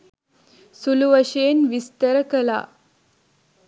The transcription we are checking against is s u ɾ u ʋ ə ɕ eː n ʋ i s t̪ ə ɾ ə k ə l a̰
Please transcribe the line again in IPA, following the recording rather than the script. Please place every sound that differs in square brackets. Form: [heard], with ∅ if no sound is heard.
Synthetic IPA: s u [l] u ʋ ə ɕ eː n ʋ i s t̪ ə ɾ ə k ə l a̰